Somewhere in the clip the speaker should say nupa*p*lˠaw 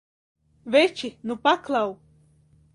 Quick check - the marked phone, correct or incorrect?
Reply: incorrect